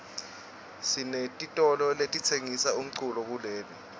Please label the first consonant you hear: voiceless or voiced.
voiceless